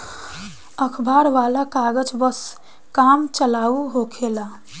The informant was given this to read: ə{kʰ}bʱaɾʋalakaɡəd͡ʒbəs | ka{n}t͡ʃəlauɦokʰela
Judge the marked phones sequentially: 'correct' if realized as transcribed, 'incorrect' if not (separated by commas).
correct, incorrect